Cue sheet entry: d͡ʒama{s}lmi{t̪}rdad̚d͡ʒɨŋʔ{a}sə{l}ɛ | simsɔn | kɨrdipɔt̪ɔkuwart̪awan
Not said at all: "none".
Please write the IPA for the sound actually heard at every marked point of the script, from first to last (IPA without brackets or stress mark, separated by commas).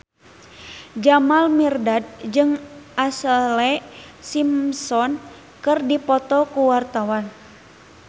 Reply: none, none, a, l